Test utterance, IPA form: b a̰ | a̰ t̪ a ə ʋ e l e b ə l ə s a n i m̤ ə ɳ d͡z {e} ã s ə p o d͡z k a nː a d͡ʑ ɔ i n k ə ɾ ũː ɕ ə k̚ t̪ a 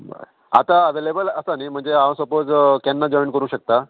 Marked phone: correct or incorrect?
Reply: correct